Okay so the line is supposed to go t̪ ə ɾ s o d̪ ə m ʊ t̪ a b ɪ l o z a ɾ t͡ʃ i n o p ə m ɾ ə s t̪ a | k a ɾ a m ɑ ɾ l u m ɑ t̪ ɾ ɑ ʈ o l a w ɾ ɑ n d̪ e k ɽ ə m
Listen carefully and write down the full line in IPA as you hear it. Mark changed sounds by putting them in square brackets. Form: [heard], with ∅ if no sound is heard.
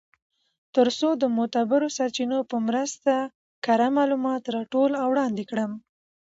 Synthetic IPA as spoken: t̪ ə ɾ s o d̪ ə m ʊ t̪ a b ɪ [ɾ] o [s] a ɾ t͡ʃ i n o p ə m ɾ ə s t̪ a | k a ɾ a m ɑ [∅] l u m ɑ t̪ ɾ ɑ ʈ o l a w [ɽ] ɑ n d̪ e k ɽ ə m